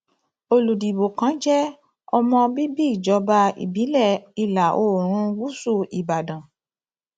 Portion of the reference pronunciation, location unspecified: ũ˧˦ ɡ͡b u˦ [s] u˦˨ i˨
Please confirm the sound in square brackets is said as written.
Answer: yes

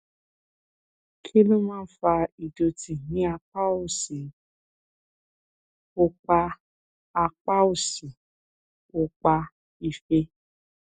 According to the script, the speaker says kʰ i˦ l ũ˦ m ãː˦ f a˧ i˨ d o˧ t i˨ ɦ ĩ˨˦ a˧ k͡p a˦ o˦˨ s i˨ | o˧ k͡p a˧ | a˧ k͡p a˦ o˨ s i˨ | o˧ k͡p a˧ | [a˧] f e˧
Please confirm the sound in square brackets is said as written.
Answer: no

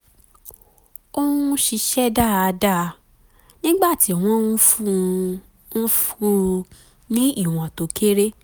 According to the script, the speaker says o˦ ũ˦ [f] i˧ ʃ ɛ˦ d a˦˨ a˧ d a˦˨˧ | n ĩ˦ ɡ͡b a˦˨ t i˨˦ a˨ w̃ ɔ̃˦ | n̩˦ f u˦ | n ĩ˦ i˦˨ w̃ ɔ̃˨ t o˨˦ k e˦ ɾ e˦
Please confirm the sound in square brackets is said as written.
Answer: no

